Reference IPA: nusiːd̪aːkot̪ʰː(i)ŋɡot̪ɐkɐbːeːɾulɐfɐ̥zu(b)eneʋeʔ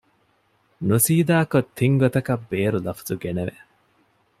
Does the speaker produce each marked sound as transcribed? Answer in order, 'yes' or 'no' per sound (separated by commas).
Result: yes, no